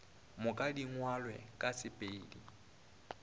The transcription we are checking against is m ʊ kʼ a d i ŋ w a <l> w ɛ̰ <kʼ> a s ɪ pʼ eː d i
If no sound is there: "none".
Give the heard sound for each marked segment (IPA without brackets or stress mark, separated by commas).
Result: l, kʼ